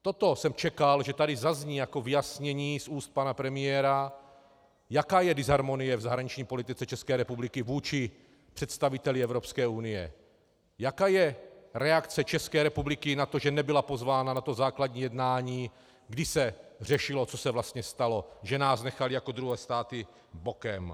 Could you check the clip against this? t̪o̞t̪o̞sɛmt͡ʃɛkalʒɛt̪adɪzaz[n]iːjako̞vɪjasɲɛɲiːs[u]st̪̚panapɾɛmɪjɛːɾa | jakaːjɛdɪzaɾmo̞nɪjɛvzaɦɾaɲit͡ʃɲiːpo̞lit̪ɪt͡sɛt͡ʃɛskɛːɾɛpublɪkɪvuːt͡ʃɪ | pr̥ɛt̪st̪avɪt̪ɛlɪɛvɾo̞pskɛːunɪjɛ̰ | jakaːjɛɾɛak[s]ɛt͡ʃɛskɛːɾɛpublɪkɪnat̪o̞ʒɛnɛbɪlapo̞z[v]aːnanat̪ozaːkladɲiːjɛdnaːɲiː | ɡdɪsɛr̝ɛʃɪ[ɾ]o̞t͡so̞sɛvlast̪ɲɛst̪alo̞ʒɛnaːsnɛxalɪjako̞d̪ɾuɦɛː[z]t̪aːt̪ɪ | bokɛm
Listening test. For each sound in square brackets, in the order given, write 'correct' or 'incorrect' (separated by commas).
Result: incorrect, incorrect, incorrect, correct, incorrect, incorrect